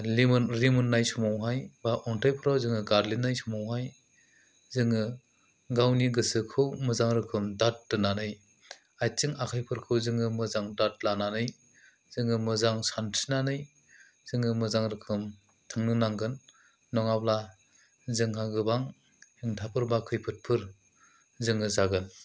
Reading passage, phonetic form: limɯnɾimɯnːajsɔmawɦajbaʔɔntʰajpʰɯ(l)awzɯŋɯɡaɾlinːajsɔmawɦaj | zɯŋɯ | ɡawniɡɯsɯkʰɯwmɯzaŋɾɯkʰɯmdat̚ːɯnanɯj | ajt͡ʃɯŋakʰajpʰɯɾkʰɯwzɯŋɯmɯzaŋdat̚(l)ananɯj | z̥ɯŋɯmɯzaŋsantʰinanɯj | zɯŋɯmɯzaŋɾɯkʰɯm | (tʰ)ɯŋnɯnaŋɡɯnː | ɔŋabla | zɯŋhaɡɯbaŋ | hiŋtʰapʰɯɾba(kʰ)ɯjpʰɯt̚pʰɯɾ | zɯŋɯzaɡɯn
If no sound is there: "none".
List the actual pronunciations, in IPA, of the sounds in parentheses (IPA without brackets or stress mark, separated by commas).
ɾ, l, tʰ, kʰ